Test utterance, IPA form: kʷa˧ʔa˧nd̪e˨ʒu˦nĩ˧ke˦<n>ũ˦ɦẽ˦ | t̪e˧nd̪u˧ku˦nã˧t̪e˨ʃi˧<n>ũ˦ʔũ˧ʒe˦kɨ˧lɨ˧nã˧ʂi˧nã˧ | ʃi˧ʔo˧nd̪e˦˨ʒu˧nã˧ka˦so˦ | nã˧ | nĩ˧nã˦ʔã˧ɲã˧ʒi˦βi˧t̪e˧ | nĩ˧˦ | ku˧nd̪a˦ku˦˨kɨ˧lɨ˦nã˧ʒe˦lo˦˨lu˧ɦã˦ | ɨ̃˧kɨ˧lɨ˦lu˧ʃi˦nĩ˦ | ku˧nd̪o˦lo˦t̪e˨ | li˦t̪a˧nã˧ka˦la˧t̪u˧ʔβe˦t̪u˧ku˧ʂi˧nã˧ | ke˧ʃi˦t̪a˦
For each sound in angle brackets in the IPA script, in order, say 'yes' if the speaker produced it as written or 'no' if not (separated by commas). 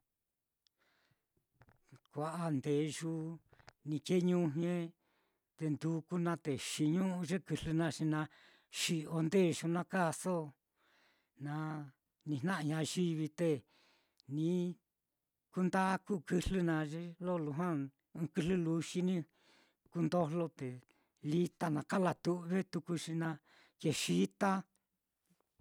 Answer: no, no